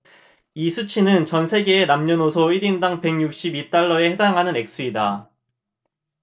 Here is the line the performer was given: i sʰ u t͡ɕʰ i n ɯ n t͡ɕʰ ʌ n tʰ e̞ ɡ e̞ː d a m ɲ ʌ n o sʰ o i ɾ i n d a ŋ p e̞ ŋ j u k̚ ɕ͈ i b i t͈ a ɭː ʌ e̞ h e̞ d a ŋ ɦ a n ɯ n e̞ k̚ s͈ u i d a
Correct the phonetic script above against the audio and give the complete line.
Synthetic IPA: i sʰ u t͡ɕʰ i n ɯ n t͡ɕ ʌ n sʰ e̞ ɡ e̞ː n a m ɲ ʌ n o sʰ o i ɾ i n d a ŋ p e̞ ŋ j u k̚ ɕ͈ i b i t͈ a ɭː ʌ e̞ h e̞ d a ŋ ɦ a n ɯ n e̞ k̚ s͈ u i d a